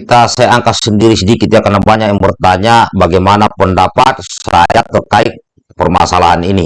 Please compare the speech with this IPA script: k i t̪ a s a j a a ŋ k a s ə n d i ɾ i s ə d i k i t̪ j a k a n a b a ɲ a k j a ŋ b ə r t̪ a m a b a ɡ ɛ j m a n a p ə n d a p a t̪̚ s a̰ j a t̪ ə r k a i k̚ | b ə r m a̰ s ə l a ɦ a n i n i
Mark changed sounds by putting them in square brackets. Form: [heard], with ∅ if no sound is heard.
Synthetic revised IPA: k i t̪ a s a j a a ŋ k a s ə n d i ɾ i s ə d i k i t̪ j a k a n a b a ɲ a k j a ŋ b ə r t̪ a [ɲ] a b a ɡ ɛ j m a n a p ə n d a p a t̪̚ s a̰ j a t̪ ə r k a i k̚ | [p] ə r m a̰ s [a] l a ɦ a n i n i